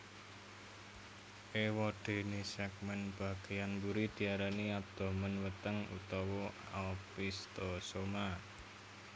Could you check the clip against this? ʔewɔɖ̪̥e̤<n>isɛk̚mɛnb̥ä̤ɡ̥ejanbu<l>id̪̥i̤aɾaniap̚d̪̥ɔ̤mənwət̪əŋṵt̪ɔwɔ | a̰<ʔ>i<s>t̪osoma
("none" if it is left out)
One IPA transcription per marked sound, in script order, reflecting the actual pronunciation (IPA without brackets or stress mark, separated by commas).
n, ɾ, p, s